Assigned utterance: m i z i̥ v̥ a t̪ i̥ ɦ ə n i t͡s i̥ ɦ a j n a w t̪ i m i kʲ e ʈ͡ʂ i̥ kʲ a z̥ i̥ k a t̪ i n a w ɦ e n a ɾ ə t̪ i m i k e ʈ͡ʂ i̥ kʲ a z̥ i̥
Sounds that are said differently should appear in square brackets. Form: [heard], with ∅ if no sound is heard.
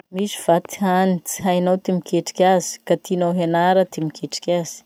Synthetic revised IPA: m i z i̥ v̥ a t̪ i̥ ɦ [a] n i t͡s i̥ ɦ a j n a w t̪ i m i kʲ e ʈ͡ʂ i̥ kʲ a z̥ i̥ k a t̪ i n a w ɦ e n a ɾ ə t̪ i m i k e ʈ͡ʂ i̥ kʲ a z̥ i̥